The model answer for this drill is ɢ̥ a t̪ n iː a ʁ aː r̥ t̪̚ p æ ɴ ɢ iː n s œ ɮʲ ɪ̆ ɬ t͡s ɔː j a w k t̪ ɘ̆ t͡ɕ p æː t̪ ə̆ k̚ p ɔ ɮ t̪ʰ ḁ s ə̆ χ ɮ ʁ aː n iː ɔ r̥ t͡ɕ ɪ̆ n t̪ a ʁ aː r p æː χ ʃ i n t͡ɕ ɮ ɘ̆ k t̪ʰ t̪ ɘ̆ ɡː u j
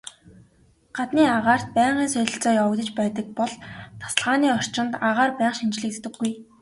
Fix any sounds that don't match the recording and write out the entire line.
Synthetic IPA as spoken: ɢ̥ a t̪ n iː a ʁ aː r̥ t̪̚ p æː ɴ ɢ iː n s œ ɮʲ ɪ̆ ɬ t͡s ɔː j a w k t̪ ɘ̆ t͡ɕ p æː t̪ ə̆ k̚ p ɔ ɮ t̪ʰ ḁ s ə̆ ɮ ʁ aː n iː ɔ r̥ t͡ɕ ɪ̆ n t̪ a ʁ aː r p æː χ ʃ i n t͡ɕ ɮ ɘ̆ k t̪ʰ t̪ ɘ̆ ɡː u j